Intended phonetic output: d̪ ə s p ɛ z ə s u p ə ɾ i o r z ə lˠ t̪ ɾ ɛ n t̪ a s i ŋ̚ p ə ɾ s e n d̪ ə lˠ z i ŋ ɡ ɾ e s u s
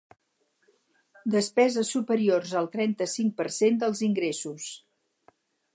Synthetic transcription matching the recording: d̪ ə s p ɛ z ə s u p ə ɾ i o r z ə lˠ t̪ ɾ ɛ n t̪ ə s i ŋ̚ p ə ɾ s e n d̪ ə lˠ z i ŋ ɡ ɾ e s u s